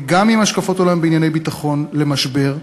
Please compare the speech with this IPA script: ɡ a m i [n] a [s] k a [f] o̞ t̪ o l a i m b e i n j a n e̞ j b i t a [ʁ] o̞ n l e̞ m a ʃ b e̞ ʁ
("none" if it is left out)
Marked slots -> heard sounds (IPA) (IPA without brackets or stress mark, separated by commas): m, ʃ, f, χ